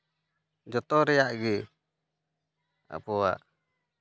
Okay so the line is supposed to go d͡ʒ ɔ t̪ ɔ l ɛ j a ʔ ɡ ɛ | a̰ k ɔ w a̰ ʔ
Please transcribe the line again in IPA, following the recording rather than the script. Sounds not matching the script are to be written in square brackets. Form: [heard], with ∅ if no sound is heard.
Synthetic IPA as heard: d͡ʒ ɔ t̪ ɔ [ɾ] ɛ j a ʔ ɡ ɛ | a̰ [p] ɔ w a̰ ʔ